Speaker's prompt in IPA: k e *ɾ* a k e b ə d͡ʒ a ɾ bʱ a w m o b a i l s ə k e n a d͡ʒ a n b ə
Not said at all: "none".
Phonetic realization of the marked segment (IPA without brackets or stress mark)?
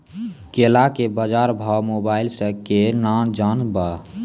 l